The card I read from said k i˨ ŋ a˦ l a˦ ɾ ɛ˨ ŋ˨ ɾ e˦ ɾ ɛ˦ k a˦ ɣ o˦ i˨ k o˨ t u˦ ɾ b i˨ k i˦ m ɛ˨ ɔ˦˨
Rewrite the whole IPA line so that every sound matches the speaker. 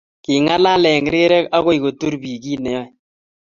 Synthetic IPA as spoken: k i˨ ŋ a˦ l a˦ l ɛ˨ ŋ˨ ɾ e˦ ɾ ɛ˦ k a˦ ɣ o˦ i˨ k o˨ t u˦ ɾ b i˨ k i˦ n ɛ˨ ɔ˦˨